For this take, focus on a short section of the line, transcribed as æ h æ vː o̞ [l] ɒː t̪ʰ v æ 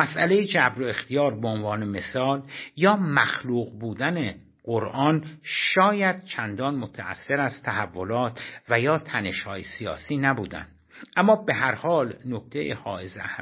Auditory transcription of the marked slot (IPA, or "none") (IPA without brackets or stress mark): l